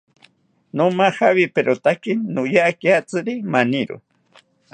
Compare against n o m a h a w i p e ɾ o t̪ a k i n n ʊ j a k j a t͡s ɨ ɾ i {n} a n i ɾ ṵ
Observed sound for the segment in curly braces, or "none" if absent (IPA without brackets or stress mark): m